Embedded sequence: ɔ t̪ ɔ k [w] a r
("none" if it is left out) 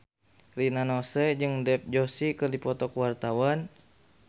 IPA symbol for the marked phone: w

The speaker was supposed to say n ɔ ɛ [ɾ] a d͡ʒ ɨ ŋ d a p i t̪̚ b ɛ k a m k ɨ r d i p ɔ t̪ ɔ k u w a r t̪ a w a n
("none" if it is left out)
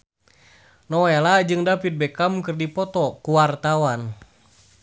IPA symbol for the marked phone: l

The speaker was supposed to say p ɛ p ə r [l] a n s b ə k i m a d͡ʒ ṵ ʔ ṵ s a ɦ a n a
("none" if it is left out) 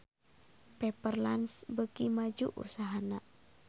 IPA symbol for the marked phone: l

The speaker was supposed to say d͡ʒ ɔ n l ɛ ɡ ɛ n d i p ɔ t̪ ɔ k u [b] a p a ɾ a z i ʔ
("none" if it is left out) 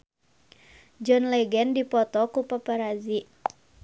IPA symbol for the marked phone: p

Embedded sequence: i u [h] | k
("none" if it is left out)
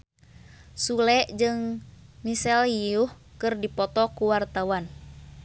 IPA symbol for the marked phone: h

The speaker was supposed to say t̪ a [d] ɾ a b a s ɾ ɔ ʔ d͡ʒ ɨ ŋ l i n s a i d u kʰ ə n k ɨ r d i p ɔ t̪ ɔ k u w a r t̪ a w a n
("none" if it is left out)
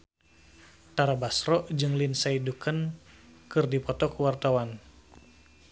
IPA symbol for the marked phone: none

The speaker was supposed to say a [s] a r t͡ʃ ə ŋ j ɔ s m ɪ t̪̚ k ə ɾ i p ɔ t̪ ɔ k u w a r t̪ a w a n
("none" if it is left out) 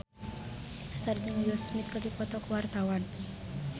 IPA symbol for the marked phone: s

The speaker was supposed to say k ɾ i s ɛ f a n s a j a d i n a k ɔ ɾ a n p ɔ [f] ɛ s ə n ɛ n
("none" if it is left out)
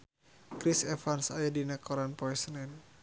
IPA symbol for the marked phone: none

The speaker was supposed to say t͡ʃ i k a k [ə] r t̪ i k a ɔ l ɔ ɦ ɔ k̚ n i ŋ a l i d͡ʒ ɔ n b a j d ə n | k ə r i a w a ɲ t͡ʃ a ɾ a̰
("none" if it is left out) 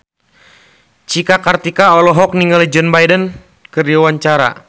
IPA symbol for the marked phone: a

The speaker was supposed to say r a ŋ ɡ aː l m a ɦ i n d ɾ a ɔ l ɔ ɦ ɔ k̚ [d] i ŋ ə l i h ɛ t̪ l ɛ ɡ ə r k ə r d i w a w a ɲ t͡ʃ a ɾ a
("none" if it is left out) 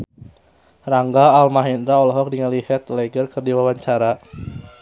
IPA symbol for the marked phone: d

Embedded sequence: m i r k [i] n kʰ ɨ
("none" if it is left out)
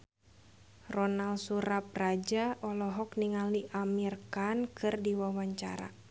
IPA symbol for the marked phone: a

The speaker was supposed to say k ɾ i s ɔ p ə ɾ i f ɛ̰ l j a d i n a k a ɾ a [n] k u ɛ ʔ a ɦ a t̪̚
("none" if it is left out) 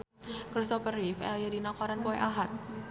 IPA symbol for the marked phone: n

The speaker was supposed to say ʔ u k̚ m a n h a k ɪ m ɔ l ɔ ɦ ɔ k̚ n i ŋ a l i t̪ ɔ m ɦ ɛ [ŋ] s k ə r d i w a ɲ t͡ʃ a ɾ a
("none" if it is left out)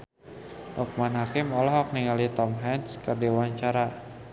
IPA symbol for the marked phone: n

